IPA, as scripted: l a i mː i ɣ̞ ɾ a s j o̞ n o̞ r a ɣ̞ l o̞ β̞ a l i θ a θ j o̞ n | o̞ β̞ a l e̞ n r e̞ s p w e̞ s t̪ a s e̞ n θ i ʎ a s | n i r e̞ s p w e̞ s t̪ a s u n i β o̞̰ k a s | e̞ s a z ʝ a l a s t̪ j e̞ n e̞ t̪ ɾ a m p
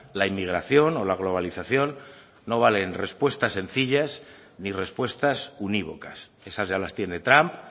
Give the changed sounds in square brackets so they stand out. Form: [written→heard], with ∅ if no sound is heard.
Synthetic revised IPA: l a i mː i ɣ̞ ɾ a [s→θ] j o̞ n o̞ [r→l] a ɣ̞ l o̞ β̞ a l i θ a θ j o̞ [n→nː] | o̞ β̞ a l e̞ n r e̞ s p w e̞ s t̪ a s e̞ n θ i ʎ a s | n i r e̞ s p w e̞ s t̪ a s u n i β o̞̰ k a s | e̞ s a z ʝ a l a s t̪ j e̞ n e̞ t̪ ɾ a m p